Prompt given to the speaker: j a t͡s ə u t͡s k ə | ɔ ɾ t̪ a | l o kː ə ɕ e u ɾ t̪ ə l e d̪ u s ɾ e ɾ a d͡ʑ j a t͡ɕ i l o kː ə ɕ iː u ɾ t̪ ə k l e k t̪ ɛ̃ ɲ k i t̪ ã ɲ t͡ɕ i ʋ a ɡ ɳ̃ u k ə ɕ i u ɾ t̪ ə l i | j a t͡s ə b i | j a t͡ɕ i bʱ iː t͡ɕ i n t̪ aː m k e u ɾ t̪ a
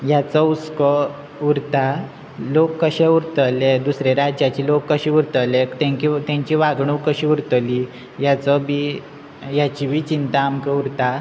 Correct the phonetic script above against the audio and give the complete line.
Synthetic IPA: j a t͡s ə u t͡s k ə | u ɾ t̪ a | l o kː ə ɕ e u ɾ t̪ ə l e d̪ u s ɾ e ɾ a d͡ʑ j a t͡ɕ i l o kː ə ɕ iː u ɾ t̪ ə l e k t̪ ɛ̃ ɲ k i t̪ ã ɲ t͡ɕ i ʋ a ɡ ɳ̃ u k ə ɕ i u ɾ t̪ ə l i | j a t͡s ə b i | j a t͡ɕ i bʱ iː t͡ɕ i n t̪ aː m k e u ɾ t̪ a